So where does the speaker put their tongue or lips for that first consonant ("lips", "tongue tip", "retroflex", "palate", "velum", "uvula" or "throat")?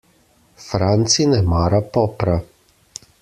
lips